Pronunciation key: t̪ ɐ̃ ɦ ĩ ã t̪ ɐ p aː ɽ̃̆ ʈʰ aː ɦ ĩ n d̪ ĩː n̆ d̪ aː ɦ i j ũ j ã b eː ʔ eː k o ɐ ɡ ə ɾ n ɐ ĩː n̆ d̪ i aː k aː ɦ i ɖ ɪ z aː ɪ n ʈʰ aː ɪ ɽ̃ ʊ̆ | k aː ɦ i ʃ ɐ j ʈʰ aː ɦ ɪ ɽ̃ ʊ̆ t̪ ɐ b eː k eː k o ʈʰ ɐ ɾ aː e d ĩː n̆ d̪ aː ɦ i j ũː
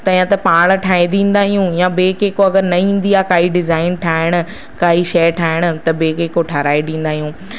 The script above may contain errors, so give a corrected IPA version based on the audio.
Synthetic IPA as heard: t̪ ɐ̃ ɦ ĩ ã t̪ ɐ p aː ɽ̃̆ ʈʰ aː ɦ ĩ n d̪ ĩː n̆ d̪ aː ɦ i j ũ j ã b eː k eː k o ɐ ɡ ə ɾ n ɐ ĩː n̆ d̪ i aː k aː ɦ i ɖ ɪ z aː ɪ n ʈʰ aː ɪ ɽ̃ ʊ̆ | k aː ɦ i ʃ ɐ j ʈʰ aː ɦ ɪ ɽ̃ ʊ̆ t̪ ɐ b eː k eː k o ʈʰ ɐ ɾ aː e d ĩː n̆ d̪ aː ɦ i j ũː